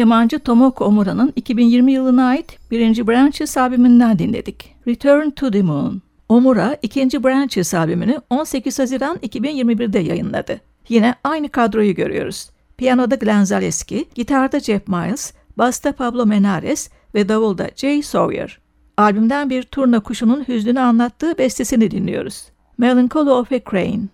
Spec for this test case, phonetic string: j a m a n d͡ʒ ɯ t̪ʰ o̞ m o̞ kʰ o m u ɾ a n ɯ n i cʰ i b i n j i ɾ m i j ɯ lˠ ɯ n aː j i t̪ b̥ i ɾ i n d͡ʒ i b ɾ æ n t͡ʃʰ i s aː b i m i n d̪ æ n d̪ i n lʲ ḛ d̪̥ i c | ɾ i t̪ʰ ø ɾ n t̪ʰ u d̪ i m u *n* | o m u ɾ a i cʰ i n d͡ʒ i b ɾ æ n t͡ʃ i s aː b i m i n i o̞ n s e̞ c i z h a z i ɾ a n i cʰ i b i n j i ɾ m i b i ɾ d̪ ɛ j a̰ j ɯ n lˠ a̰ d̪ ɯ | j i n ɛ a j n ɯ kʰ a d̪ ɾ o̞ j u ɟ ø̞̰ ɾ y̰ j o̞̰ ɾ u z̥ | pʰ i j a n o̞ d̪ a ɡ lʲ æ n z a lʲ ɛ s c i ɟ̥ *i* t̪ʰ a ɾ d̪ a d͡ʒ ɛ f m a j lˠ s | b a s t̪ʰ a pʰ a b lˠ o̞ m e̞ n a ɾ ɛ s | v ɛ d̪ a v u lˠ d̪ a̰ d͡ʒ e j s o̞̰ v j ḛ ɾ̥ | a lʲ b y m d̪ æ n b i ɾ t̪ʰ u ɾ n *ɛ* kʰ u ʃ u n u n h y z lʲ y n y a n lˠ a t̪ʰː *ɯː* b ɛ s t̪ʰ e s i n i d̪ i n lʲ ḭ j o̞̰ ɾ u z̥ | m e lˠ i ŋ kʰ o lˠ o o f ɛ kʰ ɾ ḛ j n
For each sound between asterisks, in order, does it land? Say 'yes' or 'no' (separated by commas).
yes, yes, no, yes